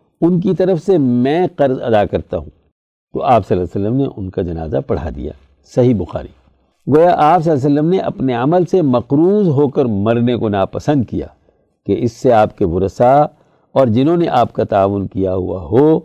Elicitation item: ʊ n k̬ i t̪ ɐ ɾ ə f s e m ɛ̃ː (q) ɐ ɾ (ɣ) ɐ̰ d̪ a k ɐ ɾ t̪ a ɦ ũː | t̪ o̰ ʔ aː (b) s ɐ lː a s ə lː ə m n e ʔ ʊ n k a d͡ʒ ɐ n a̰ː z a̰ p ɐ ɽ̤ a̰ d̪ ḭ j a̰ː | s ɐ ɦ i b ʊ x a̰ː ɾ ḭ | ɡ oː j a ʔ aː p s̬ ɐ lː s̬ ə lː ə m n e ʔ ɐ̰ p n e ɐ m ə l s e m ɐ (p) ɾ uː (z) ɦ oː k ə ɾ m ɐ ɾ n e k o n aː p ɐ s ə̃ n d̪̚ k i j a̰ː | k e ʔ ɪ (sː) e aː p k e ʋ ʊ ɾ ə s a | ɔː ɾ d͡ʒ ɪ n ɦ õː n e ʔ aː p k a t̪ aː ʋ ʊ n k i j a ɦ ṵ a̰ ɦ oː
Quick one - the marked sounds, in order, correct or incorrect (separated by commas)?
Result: correct, incorrect, incorrect, incorrect, correct, correct